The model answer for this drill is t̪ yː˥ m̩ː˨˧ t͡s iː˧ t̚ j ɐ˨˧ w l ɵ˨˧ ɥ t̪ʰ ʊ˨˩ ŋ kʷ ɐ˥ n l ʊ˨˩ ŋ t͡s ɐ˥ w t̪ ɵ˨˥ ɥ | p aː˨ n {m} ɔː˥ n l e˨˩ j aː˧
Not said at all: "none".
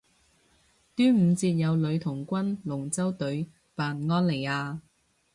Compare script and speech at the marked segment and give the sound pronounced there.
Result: ŋ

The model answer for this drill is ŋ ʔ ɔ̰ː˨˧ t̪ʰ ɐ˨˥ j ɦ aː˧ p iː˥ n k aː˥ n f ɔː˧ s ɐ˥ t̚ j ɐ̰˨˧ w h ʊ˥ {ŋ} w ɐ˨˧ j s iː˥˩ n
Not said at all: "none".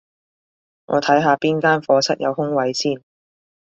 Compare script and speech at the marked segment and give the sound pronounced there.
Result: ŋ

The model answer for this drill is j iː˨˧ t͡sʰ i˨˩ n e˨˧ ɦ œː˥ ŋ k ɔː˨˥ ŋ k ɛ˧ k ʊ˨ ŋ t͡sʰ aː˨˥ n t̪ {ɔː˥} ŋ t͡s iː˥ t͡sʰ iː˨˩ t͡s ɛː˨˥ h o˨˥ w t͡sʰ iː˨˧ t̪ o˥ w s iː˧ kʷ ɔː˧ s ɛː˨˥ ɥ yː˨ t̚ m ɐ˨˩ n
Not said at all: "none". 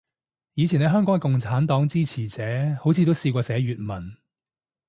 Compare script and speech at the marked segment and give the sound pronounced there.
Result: ɔː˨˥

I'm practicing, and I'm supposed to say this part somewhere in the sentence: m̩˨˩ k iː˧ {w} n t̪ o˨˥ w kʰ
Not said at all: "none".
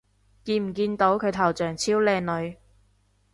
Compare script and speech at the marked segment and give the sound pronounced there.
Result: none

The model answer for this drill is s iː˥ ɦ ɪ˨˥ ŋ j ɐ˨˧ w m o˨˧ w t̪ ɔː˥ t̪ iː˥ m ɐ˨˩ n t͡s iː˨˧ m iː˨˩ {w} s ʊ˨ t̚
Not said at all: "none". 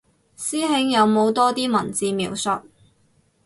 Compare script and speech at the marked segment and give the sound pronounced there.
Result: w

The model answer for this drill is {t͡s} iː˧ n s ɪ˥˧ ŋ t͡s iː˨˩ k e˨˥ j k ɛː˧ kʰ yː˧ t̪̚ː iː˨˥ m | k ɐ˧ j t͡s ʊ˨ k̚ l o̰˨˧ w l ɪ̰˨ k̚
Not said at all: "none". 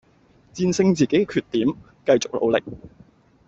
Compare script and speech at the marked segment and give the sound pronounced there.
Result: t͡s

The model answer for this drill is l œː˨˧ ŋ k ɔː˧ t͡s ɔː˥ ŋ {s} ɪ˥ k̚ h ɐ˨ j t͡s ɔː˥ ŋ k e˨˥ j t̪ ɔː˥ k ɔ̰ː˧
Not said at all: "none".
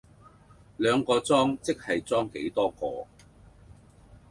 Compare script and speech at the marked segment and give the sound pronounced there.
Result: t͡s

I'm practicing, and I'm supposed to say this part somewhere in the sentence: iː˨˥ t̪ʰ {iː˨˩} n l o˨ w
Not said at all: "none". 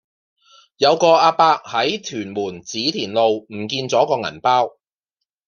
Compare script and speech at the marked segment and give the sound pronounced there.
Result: iː˨˩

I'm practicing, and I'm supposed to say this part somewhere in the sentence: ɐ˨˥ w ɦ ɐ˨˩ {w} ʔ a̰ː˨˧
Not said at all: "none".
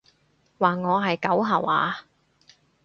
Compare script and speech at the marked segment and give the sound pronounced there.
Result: w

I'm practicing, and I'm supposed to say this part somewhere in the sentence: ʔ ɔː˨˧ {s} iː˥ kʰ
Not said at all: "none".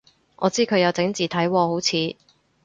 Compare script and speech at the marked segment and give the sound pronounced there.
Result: t͡s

